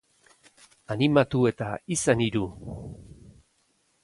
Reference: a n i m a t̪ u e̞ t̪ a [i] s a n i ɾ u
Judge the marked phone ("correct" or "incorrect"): correct